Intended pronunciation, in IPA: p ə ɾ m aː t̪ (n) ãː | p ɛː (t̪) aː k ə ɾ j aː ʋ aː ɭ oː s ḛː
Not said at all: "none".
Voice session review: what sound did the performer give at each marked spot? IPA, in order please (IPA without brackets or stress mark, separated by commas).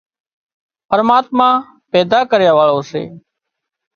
m, d̪